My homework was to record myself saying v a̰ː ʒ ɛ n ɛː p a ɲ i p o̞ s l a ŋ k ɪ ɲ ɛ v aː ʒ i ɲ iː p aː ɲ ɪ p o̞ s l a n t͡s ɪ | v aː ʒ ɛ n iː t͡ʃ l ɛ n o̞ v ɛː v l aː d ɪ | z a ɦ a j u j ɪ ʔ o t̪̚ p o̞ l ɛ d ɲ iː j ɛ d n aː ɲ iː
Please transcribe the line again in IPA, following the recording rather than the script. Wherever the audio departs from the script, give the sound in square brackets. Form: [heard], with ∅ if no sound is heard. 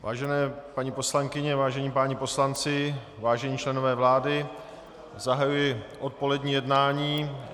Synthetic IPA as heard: v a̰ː ʒ ɛ n ɛː p a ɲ i p o̞ s l a ŋ k ɪ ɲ ɛ v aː ʒ [ɛ] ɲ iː p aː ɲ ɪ p o̞ s l a n t͡s ɪ | v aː ʒ ɛ [ɲ] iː t͡ʃ l ɛ n o̞ v ɛː v l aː d ɪ | z a ɦ a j u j ɪ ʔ o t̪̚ p o̞ l ɛ d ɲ iː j ɛ d n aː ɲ iː